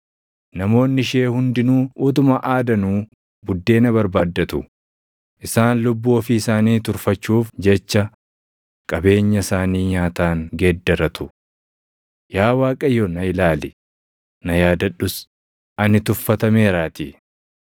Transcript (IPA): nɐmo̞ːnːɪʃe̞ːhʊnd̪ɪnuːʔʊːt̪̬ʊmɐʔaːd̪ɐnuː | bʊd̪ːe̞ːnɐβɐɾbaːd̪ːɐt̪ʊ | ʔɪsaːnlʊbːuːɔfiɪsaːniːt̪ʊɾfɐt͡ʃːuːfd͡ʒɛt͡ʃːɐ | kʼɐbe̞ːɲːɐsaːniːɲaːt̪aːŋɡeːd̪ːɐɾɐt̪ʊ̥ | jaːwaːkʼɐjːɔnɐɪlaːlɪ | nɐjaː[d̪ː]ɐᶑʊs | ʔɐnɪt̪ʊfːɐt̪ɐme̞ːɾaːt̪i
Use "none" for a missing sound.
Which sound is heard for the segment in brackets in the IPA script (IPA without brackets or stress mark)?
d̪